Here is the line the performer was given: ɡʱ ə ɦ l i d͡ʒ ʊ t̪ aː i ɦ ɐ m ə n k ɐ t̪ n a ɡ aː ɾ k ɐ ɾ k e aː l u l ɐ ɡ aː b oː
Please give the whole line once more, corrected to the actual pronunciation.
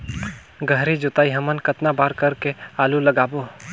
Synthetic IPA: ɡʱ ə ɦ ɾ i d͡ʒ ʊ t̪ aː i ɦ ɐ m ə n k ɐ t̪ n a b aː ɾ k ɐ ɾ k e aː l u l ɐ ɡ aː b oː